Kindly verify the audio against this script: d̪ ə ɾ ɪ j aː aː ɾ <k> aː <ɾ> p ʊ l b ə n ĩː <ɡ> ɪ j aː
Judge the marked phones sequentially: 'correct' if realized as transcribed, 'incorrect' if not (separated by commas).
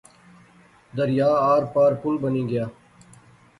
incorrect, correct, correct